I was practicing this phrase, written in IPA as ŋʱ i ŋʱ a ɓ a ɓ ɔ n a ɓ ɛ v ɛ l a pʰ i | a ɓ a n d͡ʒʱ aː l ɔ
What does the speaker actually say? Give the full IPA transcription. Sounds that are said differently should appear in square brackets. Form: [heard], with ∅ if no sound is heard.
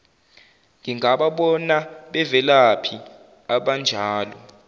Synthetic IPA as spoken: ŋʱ i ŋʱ a ɓ a ɓ ɔ n a ɓ ɛ v ɛ l a pʰ i | a ɓ a n d͡ʒʱ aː l ɔ

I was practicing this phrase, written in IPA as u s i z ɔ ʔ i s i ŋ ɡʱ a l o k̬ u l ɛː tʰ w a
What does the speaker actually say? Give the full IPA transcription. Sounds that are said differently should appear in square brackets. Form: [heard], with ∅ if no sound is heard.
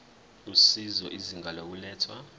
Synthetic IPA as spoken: u s i z ɔ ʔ i [z] i ŋ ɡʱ a l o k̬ u l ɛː tʰ w a

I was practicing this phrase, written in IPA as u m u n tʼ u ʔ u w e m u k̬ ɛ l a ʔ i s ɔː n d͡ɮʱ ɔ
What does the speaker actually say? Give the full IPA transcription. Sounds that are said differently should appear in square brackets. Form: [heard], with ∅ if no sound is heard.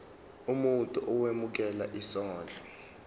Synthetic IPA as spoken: u m u n tʼ u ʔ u w e m u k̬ ɛ l a ʔ i s ɔː n d͡ɮʱ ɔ

